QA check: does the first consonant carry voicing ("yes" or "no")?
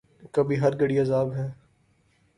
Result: no